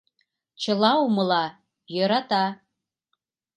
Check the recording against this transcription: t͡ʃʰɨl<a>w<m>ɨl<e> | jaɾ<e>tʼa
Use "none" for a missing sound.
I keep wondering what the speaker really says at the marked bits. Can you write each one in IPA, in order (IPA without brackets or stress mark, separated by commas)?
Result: a, m, a, a